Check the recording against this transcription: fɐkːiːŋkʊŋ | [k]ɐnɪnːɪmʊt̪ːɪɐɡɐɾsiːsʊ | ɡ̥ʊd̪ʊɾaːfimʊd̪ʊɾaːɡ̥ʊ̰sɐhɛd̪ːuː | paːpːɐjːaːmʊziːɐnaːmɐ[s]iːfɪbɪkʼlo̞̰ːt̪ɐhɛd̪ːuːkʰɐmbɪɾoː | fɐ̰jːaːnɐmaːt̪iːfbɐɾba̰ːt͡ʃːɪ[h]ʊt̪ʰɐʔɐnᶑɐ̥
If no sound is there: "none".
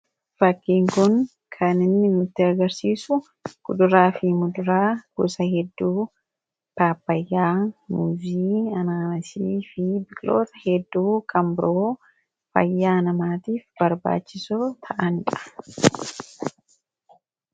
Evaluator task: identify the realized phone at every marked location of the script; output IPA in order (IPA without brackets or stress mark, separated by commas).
kʰ, s, s